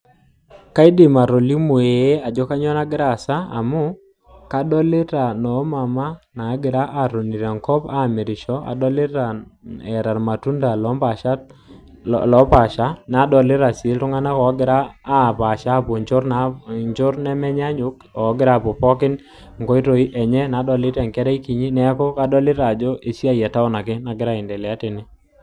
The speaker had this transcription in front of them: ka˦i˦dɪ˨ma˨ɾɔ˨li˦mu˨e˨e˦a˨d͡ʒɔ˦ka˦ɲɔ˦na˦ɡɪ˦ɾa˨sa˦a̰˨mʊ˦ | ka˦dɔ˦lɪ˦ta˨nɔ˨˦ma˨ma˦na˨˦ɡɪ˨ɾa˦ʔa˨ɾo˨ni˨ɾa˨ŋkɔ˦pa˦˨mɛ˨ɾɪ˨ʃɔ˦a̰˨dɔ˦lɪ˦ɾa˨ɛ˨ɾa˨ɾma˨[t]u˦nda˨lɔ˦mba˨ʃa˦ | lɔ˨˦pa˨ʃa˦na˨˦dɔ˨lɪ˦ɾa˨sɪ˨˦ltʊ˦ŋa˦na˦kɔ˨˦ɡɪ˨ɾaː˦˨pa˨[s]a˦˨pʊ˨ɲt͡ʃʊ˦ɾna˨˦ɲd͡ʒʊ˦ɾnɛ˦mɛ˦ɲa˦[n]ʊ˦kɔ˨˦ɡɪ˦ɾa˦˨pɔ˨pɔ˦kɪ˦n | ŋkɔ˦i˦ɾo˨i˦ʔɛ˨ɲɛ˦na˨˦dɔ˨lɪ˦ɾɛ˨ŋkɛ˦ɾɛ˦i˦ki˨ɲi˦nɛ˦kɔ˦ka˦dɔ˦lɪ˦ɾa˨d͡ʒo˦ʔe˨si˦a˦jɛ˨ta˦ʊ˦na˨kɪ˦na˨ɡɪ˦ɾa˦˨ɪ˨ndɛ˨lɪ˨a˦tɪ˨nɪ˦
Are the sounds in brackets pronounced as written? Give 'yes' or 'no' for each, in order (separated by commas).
yes, no, no